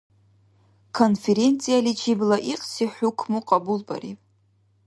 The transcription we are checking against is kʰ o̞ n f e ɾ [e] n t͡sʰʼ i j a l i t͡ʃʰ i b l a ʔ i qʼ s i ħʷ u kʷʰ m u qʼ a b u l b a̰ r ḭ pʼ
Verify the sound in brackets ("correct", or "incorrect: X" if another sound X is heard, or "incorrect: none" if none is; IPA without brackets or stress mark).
correct